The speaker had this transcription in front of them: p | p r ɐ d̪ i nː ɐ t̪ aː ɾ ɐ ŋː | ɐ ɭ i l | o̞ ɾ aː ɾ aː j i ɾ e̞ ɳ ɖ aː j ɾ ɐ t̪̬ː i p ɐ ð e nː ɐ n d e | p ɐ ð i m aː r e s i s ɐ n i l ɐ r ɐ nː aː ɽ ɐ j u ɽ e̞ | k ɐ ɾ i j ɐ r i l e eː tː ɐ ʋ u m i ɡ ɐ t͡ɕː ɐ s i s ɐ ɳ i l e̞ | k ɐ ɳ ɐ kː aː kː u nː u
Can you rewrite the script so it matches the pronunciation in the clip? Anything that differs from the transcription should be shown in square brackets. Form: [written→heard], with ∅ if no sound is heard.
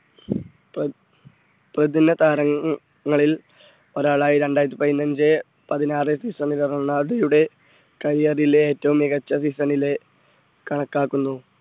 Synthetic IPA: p | p r ɐ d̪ i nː ɐ t̪ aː ɾ ɐ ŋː | ɐ ɭ i l | o̞ ɾ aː [ɾ→ɭ] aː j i ɾ e̞ ɳ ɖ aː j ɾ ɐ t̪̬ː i p ɐ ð [e→i] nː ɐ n [d→d͡ʑ] e | p ɐ ð i [m→n] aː r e s i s ɐ n i l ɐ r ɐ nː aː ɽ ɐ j u ɽ e̞ | k ɐ ɾ i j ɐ r i l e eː tː ɐ ʋ u m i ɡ ɐ t͡ɕː ɐ s i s ɐ [ɳ→n] i l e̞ | k ɐ ɳ ɐ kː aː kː u nː u